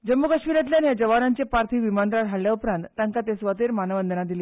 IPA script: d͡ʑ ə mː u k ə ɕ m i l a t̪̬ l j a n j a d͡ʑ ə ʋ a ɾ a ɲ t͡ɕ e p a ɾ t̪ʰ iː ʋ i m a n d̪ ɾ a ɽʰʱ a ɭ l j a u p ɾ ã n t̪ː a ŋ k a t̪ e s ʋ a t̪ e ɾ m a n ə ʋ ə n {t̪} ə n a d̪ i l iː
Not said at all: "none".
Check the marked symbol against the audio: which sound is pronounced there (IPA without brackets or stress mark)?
d̪